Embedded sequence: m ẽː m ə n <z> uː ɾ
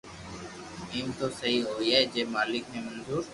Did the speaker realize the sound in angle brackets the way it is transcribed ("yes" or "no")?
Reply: yes